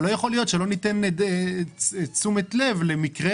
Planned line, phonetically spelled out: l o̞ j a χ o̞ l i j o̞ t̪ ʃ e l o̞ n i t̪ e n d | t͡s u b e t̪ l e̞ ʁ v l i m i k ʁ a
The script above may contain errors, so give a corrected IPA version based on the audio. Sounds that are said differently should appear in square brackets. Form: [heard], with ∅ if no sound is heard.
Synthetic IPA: l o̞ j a χ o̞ l i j o̞ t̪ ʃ e l o̞ n i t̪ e n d | t͡s u [m] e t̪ l e̞ [∅] v l [e] m i k ʁ [e]

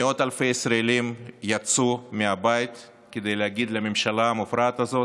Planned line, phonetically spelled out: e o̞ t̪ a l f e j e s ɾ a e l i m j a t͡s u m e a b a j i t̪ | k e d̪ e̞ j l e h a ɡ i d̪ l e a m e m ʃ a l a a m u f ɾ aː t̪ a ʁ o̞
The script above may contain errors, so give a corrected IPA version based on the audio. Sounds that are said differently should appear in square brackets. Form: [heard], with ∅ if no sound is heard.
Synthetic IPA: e o̞ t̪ a l f e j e s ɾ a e l i m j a t͡s u m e a b a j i t̪ | k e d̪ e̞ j l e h a ɡ i d̪ l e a m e m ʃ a l a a m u f ɾ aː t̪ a [z] o̞

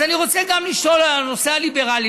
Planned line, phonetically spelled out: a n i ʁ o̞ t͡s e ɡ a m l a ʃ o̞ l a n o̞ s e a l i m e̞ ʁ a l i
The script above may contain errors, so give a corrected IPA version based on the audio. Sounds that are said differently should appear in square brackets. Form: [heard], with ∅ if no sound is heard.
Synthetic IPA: a n i ʁ o̞ t͡s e ɡ a m l [i] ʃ o̞ l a n o̞ s e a l i [b] e̞ ʁ a l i

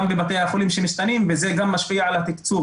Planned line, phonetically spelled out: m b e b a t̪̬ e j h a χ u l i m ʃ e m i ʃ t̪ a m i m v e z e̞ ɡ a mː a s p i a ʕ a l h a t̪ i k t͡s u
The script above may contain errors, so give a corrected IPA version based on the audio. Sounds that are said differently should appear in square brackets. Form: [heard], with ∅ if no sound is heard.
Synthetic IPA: m b e b a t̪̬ e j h a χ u l i m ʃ e m i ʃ t̪ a [n] i m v e z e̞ ɡ a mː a [ʃ] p i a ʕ a l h a t̪ i k t͡s u

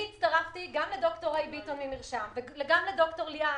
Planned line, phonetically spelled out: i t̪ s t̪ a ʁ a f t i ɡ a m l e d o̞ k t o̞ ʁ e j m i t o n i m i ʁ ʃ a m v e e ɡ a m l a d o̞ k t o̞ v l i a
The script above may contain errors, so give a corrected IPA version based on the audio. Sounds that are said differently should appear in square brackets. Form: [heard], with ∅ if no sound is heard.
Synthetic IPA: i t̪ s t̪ a ʁ a f t i ɡ a m l e d o̞ k t o̞ ʁ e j [b] i t o n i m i ʁ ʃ a m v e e ɡ a m l [e] d o̞ k t o̞ [ʁ] l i a

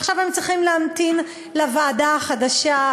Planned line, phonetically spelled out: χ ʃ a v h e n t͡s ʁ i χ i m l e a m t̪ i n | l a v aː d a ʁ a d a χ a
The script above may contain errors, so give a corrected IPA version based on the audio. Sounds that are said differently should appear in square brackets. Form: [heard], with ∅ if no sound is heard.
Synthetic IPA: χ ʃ a v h e [m] t͡s ʁ i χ i m l e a m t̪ i n | l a v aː d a [χ] a d a [ʃ] a

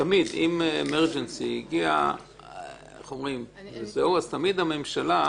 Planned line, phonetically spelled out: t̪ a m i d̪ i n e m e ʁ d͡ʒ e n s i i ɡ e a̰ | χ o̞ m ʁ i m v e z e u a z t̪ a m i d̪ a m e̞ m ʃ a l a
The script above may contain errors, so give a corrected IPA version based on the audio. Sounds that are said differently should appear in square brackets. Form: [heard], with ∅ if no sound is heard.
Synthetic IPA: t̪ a m i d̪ i [m] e m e ʁ d͡ʒ e n s i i ɡ [i] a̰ | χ o̞ m ʁ i m v e z e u a z t̪ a m i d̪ a m e̞ m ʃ a l a

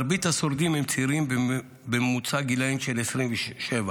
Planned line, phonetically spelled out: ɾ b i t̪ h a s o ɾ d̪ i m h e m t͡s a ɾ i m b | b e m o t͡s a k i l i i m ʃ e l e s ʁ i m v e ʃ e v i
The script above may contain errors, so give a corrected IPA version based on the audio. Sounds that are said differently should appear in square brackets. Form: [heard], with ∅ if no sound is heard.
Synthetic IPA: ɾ b i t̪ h a s o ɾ d̪ i m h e m t͡s [i] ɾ i m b | b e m [u] t͡s a [ɡ] i l [a] i m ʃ e l e s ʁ i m v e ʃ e v [a]

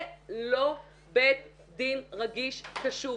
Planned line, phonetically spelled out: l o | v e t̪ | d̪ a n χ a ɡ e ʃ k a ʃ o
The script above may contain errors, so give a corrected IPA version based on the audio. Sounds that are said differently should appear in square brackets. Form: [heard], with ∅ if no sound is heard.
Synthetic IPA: l o | [b] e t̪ | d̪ [i] n [ʁ] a ɡ [i] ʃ k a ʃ [u]

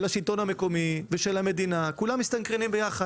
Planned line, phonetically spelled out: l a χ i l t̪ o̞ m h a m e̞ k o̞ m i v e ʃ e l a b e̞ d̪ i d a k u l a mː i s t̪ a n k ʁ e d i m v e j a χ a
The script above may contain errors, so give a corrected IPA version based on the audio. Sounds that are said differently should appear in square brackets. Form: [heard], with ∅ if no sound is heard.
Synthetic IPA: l a [ʃ] i l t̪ o̞ [n] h a m e̞ k o̞ m i v e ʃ e l a [m] e̞ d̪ i [n] a k u l a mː i s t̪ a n k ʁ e [n] i m [b] e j a χ a

